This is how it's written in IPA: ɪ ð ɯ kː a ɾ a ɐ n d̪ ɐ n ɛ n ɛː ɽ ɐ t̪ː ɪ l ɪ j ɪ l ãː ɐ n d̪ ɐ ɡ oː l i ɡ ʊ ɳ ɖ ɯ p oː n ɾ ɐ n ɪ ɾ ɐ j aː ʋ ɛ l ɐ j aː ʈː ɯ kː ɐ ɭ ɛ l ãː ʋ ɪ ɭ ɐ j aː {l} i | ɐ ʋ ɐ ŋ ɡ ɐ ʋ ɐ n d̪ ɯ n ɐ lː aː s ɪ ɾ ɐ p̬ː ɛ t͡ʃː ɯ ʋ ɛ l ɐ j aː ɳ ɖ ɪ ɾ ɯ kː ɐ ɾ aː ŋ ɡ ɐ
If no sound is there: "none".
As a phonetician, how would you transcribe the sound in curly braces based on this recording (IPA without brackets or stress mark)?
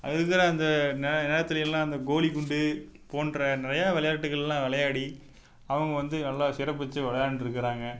ɽ